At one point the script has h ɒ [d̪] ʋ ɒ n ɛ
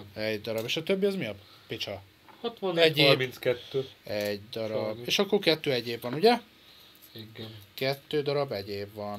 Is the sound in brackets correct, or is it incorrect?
incorrect